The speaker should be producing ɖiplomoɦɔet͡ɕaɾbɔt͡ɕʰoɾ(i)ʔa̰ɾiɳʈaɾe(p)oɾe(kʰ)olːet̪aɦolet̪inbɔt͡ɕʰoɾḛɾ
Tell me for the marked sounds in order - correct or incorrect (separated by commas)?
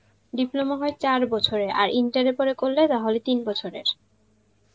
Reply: incorrect, correct, incorrect